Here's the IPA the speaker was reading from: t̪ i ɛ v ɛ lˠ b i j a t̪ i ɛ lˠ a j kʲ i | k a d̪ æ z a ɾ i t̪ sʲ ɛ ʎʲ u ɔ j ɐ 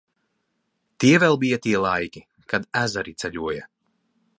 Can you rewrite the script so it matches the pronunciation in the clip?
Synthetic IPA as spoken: t̪ i ɛ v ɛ lˠ b i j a t̪ i ɛ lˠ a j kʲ i | k a d̪ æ z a ɾ i t̪ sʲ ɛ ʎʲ u ɔ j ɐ